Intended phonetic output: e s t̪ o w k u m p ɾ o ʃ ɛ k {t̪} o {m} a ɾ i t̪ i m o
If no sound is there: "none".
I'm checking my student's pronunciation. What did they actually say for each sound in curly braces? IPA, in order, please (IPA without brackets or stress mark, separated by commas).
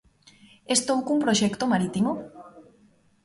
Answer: t̪, m